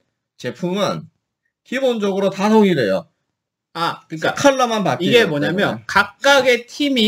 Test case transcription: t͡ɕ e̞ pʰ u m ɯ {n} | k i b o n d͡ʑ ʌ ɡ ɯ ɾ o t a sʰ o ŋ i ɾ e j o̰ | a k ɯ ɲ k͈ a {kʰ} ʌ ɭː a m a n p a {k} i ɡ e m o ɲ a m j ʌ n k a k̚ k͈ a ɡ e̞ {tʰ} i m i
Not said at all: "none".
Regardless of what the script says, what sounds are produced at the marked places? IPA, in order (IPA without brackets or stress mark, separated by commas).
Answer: n, kʰ, k, tʰ